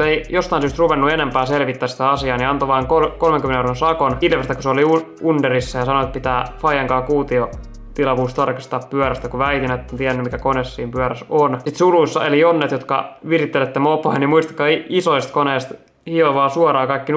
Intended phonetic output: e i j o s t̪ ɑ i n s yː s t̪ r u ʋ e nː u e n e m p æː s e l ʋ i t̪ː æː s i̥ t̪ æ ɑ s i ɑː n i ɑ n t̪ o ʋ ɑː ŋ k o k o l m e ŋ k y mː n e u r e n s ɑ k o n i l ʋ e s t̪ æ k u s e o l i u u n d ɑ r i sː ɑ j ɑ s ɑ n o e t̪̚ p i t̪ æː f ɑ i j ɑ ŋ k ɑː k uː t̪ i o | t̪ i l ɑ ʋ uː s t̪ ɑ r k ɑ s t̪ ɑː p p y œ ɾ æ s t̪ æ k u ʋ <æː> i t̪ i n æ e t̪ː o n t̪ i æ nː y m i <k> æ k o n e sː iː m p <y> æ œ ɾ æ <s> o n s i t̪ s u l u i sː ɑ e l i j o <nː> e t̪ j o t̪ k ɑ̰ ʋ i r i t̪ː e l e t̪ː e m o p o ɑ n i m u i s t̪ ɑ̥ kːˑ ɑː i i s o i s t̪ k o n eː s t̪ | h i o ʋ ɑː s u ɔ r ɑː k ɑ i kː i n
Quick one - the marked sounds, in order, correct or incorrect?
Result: incorrect: æ, correct, correct, correct, correct

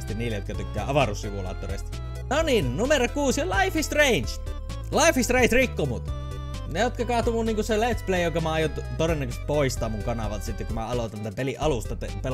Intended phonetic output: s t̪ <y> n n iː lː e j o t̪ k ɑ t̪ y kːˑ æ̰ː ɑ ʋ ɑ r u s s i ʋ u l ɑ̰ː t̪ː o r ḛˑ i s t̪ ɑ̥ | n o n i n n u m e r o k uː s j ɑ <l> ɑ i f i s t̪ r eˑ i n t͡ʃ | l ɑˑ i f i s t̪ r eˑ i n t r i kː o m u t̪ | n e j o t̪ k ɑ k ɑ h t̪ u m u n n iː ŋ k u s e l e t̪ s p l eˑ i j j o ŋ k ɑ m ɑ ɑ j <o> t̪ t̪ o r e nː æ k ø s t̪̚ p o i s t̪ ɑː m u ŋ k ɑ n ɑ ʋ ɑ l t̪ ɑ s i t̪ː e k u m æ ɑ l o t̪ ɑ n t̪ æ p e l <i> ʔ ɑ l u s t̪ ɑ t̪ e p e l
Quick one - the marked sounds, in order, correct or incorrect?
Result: incorrect: i, correct, correct, correct

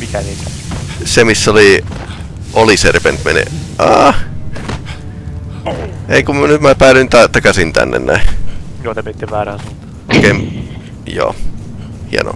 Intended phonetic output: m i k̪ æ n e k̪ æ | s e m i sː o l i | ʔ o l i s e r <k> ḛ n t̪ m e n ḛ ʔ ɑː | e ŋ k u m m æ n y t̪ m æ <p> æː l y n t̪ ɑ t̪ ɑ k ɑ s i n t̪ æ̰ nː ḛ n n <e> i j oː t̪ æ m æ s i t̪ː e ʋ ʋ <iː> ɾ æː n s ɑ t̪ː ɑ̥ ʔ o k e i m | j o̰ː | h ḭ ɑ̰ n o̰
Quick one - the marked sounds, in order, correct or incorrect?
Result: incorrect: p, correct, incorrect: æ, incorrect: æː

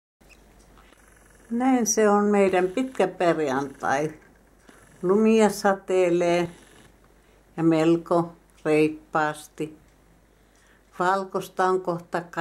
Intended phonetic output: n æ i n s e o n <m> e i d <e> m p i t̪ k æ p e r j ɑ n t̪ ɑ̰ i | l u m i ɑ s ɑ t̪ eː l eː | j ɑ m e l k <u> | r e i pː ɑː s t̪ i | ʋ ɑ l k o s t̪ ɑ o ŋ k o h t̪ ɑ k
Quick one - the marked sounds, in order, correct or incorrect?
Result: correct, incorrect: æ, incorrect: o

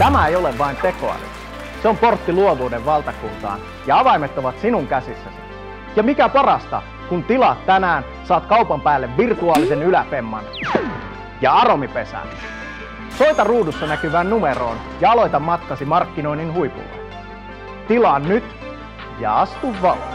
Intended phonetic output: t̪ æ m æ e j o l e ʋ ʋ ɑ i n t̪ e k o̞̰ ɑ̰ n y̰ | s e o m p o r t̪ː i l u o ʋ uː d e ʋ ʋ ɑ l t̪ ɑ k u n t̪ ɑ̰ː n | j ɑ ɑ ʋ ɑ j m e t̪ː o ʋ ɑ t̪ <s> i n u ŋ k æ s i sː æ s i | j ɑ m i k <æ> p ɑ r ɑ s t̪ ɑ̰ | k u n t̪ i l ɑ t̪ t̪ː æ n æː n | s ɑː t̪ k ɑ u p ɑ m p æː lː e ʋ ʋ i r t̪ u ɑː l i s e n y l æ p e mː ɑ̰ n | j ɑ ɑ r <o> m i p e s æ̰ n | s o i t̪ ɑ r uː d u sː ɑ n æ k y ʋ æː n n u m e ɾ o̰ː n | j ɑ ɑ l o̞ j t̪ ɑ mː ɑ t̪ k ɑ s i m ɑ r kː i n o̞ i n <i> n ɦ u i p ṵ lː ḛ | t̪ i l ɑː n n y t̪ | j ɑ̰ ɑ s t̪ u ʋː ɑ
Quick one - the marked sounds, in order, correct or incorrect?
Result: correct, correct, correct, correct

